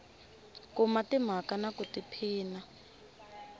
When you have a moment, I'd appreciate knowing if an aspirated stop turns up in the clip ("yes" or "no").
yes